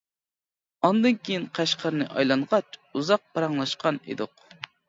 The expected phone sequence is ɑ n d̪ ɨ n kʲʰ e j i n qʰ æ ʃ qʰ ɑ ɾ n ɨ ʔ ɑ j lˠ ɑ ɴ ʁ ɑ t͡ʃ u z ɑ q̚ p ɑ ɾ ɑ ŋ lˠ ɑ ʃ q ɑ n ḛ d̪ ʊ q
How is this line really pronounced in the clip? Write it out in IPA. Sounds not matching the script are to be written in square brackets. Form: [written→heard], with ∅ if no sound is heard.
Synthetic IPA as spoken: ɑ n d̪ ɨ n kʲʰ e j i n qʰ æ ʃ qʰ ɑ ɾ n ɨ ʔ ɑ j lˠ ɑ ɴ ʁ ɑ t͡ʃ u z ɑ q̚ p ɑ ɾ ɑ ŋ lˠ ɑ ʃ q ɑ n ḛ d̪ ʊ q